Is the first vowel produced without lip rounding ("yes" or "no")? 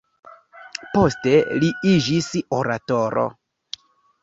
no